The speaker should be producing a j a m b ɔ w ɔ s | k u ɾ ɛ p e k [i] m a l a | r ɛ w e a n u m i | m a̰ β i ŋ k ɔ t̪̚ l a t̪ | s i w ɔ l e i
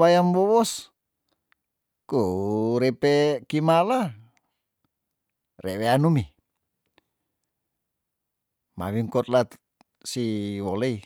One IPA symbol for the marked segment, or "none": i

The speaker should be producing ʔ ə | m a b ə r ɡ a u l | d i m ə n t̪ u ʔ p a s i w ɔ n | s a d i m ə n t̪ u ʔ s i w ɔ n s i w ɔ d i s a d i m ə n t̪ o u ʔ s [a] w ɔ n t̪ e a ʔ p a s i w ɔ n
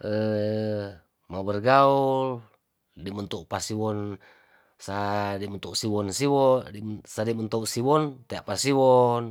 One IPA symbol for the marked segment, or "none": i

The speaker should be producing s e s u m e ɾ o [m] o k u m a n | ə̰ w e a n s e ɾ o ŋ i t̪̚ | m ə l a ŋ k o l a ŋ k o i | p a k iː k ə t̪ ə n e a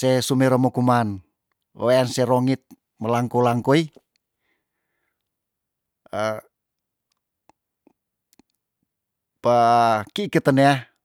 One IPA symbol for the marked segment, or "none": m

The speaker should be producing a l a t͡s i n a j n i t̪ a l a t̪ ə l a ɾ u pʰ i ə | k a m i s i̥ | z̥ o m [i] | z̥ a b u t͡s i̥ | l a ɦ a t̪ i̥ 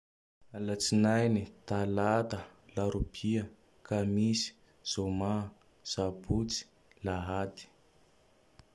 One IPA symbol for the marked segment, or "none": a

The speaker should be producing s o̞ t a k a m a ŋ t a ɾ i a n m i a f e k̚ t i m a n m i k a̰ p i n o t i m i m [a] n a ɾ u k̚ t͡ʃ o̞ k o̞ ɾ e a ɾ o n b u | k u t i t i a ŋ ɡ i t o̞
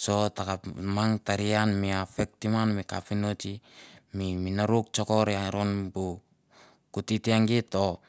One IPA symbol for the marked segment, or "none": i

